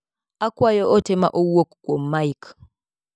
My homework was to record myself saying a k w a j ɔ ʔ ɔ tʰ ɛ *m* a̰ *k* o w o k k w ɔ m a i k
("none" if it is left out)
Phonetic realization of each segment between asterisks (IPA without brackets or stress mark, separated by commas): m, ʔ